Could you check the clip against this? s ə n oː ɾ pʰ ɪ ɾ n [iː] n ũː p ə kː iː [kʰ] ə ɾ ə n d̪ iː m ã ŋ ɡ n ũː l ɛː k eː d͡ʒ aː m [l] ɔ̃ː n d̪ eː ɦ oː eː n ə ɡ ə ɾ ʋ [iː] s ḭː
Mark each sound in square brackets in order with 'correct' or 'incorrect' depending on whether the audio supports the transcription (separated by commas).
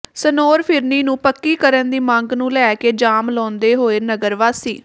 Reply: correct, incorrect, correct, incorrect